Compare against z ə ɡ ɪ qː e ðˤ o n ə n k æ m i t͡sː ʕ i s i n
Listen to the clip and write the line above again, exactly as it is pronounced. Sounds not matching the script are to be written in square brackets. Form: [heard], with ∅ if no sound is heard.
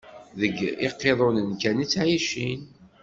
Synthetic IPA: [ð] ə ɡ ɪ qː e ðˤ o n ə n k æ [n] i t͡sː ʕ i [ʃ] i n